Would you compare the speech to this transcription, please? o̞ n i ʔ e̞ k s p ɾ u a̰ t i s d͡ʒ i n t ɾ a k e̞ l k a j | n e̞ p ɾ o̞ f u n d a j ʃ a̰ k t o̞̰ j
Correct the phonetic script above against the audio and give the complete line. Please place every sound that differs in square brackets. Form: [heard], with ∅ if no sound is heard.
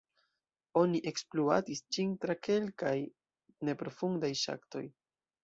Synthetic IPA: o̞ n i ʔ e̞ k s p [l] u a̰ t i s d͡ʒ i n t ɾ a k e̞ l k a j | n e̞ p ɾ o̞ f u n d a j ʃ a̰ k t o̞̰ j

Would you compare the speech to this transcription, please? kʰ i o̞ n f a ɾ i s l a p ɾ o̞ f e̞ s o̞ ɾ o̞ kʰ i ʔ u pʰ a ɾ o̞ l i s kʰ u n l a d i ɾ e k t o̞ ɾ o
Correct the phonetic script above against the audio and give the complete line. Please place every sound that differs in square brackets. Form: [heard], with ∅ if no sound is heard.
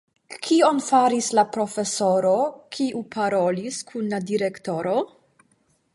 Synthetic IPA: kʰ i o̞ n f a ɾ i s l a p ɾ o̞ f e̞ s o̞ ɾ o̞ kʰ i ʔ u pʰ a ɾ o̞ l i s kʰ u n l a d i ɾ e k t o̞ ɾ o

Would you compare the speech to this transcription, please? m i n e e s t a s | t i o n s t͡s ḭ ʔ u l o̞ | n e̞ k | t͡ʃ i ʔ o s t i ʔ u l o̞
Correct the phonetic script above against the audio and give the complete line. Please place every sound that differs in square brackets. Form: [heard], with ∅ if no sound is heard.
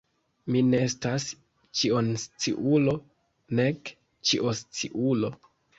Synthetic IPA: m i n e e s t a s | [t͡ʃ] i o n s t͡s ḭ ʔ u l o̞ | n e̞ k | t͡ʃ i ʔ o s [t͡s] i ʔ u l o̞

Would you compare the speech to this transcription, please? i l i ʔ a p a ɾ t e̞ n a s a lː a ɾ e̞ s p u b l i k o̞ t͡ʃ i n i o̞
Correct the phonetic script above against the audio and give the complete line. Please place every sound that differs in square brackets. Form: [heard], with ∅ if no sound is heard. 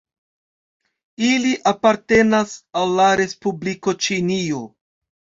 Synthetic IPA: i l i ʔ a p a ɾ t e̞ n a s a lː a ɾ e̞ s p u b l i k o̞ t͡ʃ i n i o̞

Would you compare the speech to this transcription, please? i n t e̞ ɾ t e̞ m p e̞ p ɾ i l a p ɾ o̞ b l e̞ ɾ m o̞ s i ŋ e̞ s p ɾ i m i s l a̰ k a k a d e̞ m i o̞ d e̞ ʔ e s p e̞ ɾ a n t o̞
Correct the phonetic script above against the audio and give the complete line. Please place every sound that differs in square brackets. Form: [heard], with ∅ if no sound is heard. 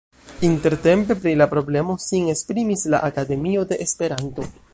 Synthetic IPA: i n t e̞ ɾ t e̞ m p e̞ p ɾ i l a p ɾ o̞ b l e̞ [∅] m o̞ s i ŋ e̞ s p ɾ i m i s l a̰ [ʔ] a k a d e̞ m i o̞ d e̞ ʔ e s p e̞ ɾ a n t o̞

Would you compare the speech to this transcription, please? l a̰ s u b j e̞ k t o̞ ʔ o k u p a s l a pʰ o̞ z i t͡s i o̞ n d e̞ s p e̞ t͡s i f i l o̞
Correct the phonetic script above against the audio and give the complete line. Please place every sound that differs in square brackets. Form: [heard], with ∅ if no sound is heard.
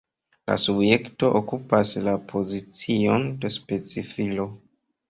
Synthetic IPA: l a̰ s u b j e̞ k t o̞ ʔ o k u p a s l a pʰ o̞ z i t͡s i o̞ n d e̞ s p e̞ t͡s i f i l o̞

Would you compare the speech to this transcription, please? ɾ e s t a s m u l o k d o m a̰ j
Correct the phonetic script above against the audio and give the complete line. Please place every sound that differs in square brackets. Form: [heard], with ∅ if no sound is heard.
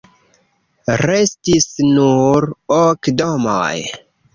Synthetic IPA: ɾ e s t [i] s [n] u [ɾ] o k d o m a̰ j

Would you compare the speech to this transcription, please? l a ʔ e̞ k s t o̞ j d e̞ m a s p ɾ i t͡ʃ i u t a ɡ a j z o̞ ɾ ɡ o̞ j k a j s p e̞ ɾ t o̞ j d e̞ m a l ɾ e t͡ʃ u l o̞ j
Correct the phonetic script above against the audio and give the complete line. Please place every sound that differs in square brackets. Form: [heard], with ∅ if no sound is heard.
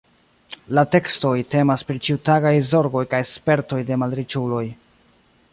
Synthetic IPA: l a [t] e̞ k s t o̞ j [t] e̞ m a s p ɾ i t͡ʃ i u t a ɡ a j z o̞ ɾ ɡ o̞ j k a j s p e̞ ɾ t o̞ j d e̞ m a l ɾ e t͡ʃ u l o̞ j

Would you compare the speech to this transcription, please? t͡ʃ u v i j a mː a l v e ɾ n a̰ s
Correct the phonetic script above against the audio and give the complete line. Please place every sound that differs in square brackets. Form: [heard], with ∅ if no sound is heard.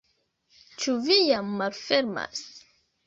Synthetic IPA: t͡ʃ u v i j a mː a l [f] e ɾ [m] a̰ s

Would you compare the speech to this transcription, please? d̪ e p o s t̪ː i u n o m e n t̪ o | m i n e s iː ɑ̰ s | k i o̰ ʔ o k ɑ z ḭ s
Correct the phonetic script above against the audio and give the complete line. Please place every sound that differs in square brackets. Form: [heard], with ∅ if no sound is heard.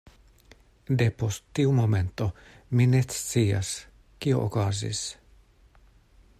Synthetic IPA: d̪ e p o s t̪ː i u [m] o m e n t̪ o | m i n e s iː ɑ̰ s | k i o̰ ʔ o k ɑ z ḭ s

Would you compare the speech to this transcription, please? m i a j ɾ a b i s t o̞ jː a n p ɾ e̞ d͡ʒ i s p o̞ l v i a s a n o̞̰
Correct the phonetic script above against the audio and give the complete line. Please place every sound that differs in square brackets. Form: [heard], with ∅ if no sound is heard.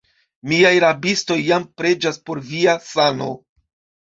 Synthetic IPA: m i a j ɾ a b i s t o̞ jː a [m] p ɾ e̞ d͡ʒ [a] s p o̞ [ɾ] v i a s a n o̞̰

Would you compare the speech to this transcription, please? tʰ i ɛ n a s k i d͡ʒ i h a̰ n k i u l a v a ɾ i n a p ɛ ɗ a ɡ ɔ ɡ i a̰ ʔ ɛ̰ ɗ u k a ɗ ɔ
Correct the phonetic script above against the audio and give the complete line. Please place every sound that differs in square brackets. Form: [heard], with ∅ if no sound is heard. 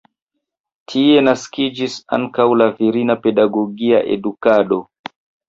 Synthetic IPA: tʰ i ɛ n a s k i d͡ʒ i [s] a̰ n k [a] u l a v [i] ɾ i n a p ɛ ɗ a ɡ ɔ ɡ i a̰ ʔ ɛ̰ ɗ u k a ɗ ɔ

